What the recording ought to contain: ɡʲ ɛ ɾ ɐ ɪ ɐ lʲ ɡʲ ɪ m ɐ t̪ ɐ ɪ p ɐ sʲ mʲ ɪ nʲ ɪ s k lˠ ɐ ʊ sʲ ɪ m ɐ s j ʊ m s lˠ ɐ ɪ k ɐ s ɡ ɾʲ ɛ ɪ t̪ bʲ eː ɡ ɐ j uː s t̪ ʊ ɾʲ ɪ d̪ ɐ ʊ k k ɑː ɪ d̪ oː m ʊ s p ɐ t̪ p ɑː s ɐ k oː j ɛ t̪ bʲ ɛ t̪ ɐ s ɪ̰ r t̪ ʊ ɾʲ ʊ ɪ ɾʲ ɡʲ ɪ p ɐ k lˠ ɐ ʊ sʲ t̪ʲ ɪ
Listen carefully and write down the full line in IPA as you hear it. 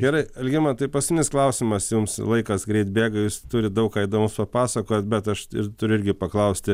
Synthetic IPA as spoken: ɡʲ ɛ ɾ ɐ ɪ ɐ lʲ ɡʲ ɪ m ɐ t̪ ɐ ɪ p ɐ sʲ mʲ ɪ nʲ ɪ s k lˠ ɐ ʊ sʲ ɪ m ɐ s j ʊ m s lˠ ɐ ɪ k ɐ s ɡ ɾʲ ɛ ɪ t̪ bʲ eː ɡ ɐ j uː s t̪ ʊ ɾʲ ɪ d̪ ɐ ʊ k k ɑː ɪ d̪ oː m ʊ s p ɐ p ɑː s ɐ k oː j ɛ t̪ bʲ ɛ t̪ ɐ ʃ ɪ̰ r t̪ ʊ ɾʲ ʊ ɪ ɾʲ ɡʲ ɪ p ɐ k lˠ ɐ ʊ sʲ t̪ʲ ɪ

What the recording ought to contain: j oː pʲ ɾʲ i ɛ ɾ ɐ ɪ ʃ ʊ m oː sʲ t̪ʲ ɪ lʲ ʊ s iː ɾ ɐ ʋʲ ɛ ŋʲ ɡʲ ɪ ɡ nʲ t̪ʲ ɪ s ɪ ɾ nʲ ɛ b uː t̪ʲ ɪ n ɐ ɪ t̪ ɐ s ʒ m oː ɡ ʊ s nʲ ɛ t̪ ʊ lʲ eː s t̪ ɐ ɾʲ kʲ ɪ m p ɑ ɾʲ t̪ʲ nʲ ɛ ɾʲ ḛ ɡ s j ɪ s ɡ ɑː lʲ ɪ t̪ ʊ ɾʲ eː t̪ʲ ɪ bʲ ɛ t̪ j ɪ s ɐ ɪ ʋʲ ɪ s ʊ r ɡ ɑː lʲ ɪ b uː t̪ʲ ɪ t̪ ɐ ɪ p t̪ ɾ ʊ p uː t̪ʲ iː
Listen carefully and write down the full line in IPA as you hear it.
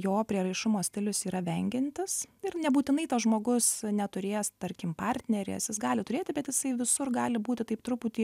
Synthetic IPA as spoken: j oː pʲ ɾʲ i ɛ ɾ ɐ ɪ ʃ ʊ m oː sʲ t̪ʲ ɪ lʲ ʊ s iː ɾ ɐ ʋʲ ɛ ŋʲ ɡʲ ɪ nʲ t̪ʲ ɪ s ɪ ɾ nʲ ɛ b uː t̪ʲ ɪ n ɐ ɪ t̪ ɐ s ʒ m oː ɡ ʊ s nʲ ɛ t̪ ʊ ɾʲ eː s t̪ ɐ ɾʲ kʲ ɪ m p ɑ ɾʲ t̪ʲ nʲ ɛ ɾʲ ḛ s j ɪ s ɡ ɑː lʲ ɪ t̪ ʊ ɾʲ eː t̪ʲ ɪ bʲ ɛ t̪ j ɪ s ɐ ɪ ʋʲ ɪ s ʊ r ɡ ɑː lʲ ɪ b uː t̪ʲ ɪ t̪ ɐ ɪ p t̪ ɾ ʊ p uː t̪ʲ iː

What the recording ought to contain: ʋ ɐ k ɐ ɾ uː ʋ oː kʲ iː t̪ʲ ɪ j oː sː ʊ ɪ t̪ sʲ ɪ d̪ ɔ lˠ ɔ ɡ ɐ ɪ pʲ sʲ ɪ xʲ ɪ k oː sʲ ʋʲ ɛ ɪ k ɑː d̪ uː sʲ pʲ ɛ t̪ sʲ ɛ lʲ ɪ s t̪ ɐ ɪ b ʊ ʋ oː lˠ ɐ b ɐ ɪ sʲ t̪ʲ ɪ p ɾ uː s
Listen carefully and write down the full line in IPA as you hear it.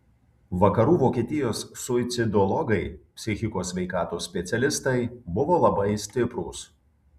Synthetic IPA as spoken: ʋ ɐ k ɐ ɾ uː ʋ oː kʲ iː t̪ʲ ɪ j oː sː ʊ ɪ t̪ sʲ ɪ d̪ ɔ lˠ ɔ ɡ ɐ ɪ pʲ sʲ ɪ xʲ ɪ k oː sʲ ʋʲ ɛ ɪ k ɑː t̪ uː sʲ pʲ ɛ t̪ sʲ ɛ lʲ ɪ s t̪ ɐ ɪ b ʊ ʋ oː lˠ ɐ b ɐ ɪ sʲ t̪ʲ ɪ p ɾ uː s

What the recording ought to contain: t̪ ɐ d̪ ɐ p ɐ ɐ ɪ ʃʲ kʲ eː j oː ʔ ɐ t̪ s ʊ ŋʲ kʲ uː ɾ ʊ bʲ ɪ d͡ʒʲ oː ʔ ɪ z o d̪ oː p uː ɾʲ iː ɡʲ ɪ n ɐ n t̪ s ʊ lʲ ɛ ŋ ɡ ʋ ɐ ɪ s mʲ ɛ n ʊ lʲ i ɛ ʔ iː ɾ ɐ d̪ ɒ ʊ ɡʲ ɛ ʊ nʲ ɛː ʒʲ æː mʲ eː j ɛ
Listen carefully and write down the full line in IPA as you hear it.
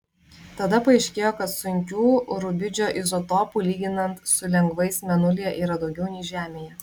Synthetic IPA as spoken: t̪ ɐ d̪ ɐ p ɐ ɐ ɪ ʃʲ kʲ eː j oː k ɐ t̪ s ʊ ŋʲ kʲ uː ɾ ʊ bʲ ɪ d͡ʒʲ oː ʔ ɪ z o t̪ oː p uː lʲ iː ɡʲ ɪ n ɐ n t̪ s ʊ lʲ ɛ ŋ ɡ ʋ ɐ ɪ s mʲ ɛ n ʊ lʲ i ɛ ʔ iː ɾ ɐ d̪ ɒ ʊ ɡʲ ɛ ʊ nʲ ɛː ʒʲ æː mʲ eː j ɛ

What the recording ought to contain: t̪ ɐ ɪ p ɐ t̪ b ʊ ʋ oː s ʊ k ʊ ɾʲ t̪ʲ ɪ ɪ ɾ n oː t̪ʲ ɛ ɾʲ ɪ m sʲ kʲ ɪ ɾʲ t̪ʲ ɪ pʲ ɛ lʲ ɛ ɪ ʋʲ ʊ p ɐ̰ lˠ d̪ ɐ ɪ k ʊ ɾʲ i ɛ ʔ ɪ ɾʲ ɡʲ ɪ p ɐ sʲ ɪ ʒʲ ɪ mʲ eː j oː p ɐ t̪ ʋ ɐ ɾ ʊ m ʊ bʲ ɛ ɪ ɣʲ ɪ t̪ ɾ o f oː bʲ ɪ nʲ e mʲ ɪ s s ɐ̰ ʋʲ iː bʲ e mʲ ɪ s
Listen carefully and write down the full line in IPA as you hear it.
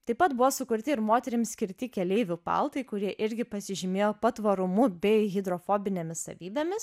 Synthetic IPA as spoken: t̪ ɐ ɪ p ɐ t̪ b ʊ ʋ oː s ʊ k ʊ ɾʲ t̪ʲ ɪ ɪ ɾ m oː t̪ʲ ɛ ɾʲ ɪ m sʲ kʲ ɪ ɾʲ t̪ʲ ɪ kʲ ɛ lʲ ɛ ɪ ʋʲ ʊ p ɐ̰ lˠ t̪ ɐ ɪ k ʊ ɾʲ i ɛ ʔ ɪ ɾʲ ɡʲ ɪ p ɐ sʲ ɪ ʒʲ ɪ mʲ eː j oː p ɐ t̪ ʋ ɐ ɾ ʊ m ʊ bʲ ɛ ɪ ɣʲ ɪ d̪ ɾ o f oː bʲ ɪ nʲ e mʲ ɪ s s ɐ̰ ʋʲ iː bʲ e mʲ ɪ s

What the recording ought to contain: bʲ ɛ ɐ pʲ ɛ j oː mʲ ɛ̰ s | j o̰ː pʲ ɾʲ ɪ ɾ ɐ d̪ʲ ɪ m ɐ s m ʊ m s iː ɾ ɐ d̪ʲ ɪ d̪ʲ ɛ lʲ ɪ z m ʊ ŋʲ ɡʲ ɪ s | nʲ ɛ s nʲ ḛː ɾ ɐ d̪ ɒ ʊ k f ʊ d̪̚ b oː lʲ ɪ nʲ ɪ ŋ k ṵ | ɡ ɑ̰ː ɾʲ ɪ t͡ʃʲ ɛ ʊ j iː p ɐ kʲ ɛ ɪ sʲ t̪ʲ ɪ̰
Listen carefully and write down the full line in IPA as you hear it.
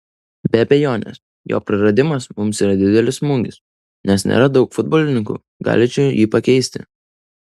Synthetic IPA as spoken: bʲ ɛ ɐ bʲ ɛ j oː nʲ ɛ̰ s | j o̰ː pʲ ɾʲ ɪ ɾ ɐ d̪ʲ ɪ m ɐ s m ʊ m s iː ɾ ɐ d̪ʲ ɪ d̪ʲ ɛ lʲ ɪ s m ʊ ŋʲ ɡʲ ɪ s | nʲ ɛ s nʲ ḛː ɾ ɐ d̪ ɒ ʊ k f ʊ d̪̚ b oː lʲ ɪ nʲ ɪ ŋ k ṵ | ɡ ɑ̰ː lʲ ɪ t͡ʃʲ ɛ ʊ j iː p ɐ kʲ ɛ ɪ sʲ t̪ʲ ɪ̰

